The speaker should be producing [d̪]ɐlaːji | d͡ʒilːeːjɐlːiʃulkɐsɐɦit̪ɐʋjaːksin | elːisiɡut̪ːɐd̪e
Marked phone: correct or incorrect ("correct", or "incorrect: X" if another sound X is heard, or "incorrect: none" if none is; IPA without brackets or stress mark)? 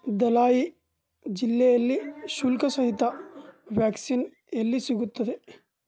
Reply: correct